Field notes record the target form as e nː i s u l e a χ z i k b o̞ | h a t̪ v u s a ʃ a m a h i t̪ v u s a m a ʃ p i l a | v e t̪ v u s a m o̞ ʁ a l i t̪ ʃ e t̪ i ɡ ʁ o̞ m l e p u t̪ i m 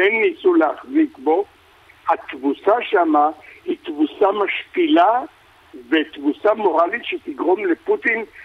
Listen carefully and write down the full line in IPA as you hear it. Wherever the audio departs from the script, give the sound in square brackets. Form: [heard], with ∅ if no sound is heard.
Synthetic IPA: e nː i s u l e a χ z i k b o̞ | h a t̪ v u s a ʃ a m a h i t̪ v u s a m a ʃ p i l a | v e t̪ v u s a m o̞ ʁ a l i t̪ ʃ e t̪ i ɡ ʁ o̞ m l e p u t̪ i [n]